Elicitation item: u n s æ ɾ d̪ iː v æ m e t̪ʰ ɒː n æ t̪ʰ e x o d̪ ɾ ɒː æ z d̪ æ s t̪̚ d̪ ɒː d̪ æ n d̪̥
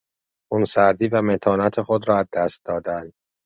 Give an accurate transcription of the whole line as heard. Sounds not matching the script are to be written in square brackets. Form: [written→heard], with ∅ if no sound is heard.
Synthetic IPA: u n s æ ɾ d̪ iː v æ m e t̪ʰ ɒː n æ t̪ʰ e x o d̪ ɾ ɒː æ z d̪ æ s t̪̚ d̪ ɒː d̪ æ n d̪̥

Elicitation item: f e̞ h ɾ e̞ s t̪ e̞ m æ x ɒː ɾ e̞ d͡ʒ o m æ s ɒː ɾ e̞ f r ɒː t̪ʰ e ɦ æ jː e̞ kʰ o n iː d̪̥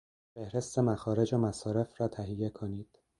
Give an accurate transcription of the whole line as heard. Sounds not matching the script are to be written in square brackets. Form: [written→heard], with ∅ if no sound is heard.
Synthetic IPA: f e̞ h ɾ e̞ s t̪ e̞ m æ x ɒː ɾ e̞ d͡ʒ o m æ s ɒː ɾ e̞ f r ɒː t̪ʰ [e→æ] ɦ [æ→i] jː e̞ kʰ o n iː d̪̥

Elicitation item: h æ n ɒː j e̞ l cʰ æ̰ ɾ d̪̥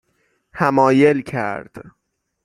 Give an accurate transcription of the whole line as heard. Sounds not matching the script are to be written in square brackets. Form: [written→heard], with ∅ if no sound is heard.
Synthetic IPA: h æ [n→m] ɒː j e̞ l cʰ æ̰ ɾ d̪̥

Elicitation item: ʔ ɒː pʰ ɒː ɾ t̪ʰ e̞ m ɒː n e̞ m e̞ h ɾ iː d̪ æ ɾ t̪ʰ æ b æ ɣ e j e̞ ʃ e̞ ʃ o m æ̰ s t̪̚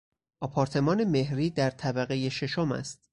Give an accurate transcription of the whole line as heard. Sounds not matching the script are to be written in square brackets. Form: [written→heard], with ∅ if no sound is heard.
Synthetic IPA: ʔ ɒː pʰ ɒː ɾ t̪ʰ e̞ m ɒː n e̞ m e̞ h ɾ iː d̪ æ ɾ t̪ʰ æ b æ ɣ e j e̞ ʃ e̞ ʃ o m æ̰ s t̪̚

